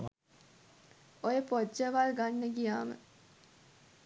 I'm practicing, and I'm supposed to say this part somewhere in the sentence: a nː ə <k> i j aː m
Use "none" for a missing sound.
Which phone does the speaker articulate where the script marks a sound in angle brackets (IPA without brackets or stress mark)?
ɡ